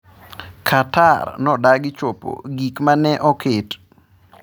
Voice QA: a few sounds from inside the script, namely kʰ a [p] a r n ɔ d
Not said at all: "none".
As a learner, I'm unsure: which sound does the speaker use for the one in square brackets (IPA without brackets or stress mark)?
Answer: t